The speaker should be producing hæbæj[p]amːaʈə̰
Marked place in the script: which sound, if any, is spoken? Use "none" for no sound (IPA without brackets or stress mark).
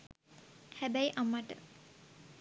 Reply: ʔ